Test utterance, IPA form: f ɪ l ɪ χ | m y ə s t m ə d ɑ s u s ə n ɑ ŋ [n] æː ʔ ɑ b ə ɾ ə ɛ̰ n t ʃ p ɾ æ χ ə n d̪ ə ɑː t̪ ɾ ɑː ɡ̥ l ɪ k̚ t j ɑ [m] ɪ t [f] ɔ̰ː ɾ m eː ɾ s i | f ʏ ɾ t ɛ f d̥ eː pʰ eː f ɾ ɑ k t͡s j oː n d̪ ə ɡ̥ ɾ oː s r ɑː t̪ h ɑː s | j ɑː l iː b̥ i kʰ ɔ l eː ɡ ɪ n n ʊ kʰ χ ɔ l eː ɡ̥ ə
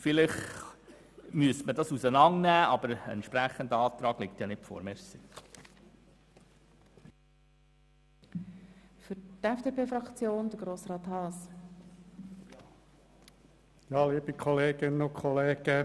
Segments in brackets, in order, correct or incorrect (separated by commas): correct, incorrect, correct